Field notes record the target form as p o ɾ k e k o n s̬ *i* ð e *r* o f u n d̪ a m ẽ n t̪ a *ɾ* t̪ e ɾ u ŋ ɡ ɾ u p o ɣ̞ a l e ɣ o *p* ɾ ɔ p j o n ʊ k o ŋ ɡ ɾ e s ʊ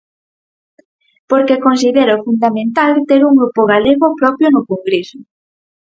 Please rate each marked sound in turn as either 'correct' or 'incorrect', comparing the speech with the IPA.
correct, incorrect: ɾ, incorrect: l, correct

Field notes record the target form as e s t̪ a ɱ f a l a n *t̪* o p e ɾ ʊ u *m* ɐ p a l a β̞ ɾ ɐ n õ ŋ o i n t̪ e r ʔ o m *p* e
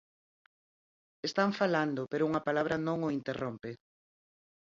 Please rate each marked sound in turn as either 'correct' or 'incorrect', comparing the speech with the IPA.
incorrect: d̪, incorrect: ŋ, correct

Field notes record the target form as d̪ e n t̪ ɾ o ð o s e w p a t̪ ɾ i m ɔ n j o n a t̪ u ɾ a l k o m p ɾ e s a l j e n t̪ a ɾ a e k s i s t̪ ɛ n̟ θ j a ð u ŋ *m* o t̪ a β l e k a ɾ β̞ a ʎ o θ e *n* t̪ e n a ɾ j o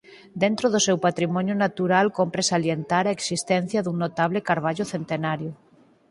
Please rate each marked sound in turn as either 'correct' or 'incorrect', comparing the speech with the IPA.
incorrect: n, correct

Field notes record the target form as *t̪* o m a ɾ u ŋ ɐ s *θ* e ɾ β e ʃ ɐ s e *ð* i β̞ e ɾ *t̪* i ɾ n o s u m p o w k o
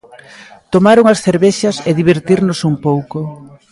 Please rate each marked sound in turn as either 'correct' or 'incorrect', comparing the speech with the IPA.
correct, correct, correct, correct

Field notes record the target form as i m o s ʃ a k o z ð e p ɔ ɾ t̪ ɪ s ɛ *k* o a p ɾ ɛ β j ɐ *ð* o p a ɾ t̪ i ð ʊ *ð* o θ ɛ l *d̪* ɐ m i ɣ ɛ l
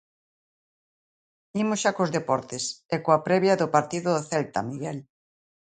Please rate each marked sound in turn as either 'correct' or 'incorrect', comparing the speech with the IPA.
correct, correct, correct, incorrect: t̪

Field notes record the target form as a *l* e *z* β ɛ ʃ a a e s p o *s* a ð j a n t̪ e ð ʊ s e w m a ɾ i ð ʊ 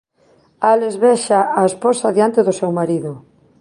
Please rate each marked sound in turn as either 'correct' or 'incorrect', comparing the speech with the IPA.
correct, correct, correct

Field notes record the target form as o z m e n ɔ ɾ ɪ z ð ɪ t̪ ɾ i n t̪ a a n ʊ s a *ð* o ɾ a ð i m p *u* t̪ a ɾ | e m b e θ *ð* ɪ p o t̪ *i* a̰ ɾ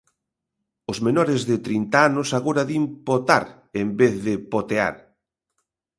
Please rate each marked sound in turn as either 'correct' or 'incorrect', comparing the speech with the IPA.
incorrect: ɣ, incorrect: o, correct, incorrect: e

